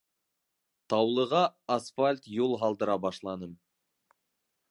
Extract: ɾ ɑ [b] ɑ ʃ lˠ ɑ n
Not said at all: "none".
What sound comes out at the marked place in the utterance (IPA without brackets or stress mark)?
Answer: b